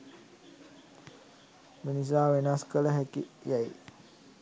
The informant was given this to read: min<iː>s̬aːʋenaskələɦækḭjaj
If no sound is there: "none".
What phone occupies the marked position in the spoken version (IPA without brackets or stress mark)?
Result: i